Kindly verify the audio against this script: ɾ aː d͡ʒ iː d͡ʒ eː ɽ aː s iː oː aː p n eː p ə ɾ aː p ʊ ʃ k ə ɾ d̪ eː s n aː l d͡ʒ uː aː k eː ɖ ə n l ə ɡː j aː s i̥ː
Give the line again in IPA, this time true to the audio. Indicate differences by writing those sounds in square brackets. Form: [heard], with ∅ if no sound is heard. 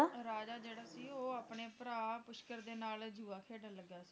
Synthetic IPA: ɾ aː d͡ʒ [aː] d͡ʒ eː ɽ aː s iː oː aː p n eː p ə ɾ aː p ʊ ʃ k ə ɾ d̪ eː [∅] n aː l d͡ʒ uː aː [kʰ] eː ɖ ə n l ə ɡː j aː s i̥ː